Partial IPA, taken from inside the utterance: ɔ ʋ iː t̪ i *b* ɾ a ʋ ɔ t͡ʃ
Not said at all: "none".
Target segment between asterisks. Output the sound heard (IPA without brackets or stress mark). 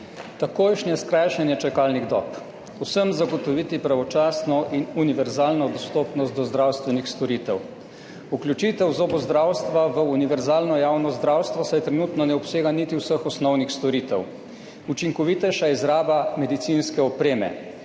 p